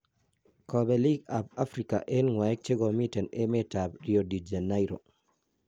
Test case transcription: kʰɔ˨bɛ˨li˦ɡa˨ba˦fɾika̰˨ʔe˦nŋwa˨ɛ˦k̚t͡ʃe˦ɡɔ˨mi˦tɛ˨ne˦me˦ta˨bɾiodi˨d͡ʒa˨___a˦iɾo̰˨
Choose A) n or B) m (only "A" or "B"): A